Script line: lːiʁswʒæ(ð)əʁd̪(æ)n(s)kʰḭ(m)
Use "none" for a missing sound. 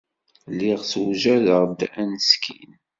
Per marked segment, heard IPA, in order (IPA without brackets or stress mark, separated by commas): ð, æ, s, n